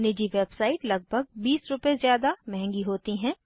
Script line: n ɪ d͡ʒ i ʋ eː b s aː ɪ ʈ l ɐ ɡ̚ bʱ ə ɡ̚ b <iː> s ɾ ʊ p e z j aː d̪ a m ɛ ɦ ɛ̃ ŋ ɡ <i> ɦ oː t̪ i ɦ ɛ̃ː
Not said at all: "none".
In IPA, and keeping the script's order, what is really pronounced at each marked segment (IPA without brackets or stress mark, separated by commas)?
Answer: iː, i